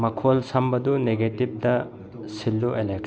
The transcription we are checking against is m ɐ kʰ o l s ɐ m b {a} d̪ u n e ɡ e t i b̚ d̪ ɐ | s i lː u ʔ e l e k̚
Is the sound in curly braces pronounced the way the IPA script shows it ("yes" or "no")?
no